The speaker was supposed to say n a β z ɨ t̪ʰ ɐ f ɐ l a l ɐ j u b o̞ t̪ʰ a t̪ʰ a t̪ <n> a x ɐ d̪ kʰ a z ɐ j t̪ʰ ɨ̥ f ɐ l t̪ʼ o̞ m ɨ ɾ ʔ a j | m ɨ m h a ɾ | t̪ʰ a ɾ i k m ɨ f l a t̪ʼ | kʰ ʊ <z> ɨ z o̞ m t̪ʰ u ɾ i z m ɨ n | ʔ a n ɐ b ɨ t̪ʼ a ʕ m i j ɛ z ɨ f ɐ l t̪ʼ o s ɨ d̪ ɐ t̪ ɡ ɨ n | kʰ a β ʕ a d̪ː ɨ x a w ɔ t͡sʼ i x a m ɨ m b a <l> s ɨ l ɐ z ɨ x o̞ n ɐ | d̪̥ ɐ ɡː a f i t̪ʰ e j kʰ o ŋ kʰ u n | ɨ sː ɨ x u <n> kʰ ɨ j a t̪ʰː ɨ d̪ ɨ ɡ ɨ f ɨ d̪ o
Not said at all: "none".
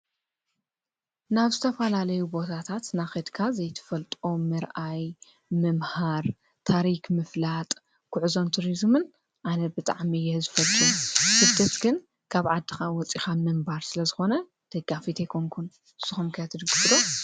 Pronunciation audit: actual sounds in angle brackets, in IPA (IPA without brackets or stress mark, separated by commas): n, ʕ, ɾ, m